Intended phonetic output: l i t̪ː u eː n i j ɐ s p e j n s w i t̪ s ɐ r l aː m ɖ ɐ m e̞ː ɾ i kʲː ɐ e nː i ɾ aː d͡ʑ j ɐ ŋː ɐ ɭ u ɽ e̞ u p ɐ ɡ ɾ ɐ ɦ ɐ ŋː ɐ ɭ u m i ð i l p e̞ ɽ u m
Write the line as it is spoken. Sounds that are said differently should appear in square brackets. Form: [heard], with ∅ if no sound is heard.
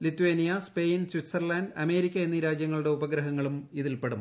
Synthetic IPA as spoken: l i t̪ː u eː n i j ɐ s p e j n s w i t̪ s ɐ r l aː [n] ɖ ɐ m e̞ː ɾ i kʲː ɐ e nː i ɾ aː d͡ʑ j ɐ ŋː ɐ ɭ u ɽ e̞ u [b] ɐ ɡ ɾ ɐ ɦ ɐ ŋː ɐ ɭ u m i ð i l p e̞ ɽ u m